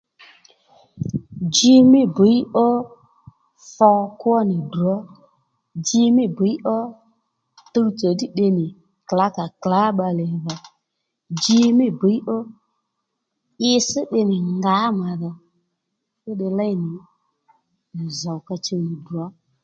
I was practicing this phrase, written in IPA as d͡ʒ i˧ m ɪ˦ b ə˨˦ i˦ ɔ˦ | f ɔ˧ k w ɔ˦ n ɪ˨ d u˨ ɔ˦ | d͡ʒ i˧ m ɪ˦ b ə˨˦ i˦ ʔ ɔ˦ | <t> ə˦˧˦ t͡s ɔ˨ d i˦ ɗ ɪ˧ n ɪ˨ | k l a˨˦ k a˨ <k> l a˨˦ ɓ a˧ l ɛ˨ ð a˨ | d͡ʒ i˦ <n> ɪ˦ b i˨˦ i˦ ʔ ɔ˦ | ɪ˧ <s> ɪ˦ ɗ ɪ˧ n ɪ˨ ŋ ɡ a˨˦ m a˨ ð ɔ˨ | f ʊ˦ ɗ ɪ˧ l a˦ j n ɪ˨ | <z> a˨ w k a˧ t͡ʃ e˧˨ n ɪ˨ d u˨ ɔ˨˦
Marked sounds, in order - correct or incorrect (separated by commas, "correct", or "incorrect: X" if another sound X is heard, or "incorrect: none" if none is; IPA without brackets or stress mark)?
correct, correct, incorrect: m, correct, correct